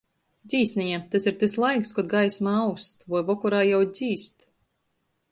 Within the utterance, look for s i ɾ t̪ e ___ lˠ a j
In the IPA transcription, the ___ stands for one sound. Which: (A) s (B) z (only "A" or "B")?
A